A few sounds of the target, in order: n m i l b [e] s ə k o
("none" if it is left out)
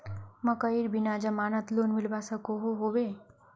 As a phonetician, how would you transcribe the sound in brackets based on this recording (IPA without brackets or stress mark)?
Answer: a